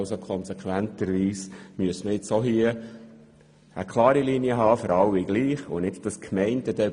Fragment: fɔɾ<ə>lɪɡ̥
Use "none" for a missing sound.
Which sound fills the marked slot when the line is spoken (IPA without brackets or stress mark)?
ɑ